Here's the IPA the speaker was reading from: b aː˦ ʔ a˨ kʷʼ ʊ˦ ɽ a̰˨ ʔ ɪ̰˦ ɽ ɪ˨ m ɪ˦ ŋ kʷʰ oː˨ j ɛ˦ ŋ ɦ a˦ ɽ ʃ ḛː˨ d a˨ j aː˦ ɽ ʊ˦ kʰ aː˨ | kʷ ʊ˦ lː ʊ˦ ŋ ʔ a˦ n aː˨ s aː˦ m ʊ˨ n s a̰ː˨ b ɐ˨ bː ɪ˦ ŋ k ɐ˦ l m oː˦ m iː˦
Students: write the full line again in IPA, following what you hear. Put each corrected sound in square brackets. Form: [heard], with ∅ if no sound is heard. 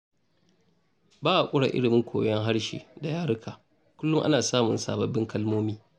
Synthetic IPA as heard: b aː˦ ʔ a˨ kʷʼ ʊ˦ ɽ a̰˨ ʔ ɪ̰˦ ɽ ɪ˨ m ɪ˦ ŋ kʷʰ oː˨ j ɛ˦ ŋ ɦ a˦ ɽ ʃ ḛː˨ d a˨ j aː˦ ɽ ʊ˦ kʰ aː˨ | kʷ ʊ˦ lː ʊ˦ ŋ ʔ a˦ n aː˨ s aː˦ m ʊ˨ n s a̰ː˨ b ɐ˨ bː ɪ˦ ŋ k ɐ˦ l m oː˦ m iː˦